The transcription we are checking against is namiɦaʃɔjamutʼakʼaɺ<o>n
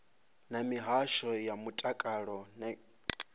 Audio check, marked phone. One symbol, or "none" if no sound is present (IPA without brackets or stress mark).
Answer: ɔ